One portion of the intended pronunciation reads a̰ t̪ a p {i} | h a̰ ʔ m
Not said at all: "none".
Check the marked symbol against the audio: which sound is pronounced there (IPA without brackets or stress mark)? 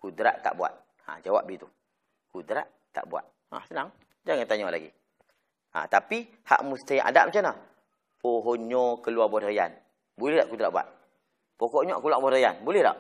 i